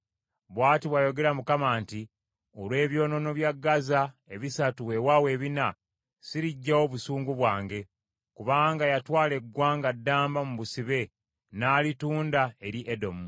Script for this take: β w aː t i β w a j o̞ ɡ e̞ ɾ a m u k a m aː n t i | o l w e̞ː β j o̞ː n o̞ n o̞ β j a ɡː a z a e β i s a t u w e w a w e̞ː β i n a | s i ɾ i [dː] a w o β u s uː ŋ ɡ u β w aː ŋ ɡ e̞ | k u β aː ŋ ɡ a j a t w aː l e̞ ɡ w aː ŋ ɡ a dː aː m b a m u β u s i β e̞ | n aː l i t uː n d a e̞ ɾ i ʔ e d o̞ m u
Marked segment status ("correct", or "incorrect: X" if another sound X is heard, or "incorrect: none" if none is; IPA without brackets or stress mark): incorrect: ɟː